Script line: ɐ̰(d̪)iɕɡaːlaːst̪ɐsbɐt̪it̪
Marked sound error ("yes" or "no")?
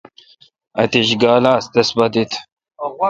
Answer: yes